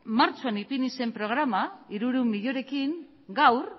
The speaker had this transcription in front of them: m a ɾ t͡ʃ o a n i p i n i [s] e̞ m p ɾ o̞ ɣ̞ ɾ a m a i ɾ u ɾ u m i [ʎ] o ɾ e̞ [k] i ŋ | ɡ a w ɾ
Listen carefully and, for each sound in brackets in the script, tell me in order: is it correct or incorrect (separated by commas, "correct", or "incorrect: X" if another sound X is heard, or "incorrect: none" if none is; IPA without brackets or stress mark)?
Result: correct, correct, correct